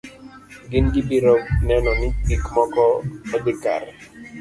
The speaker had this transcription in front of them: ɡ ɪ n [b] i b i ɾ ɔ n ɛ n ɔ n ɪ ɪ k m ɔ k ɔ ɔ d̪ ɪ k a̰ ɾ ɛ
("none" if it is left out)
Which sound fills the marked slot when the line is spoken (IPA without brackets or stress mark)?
ɡ